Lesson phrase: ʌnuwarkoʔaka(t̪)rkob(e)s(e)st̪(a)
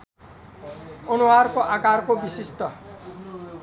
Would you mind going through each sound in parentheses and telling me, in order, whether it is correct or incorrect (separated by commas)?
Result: incorrect, incorrect, incorrect, incorrect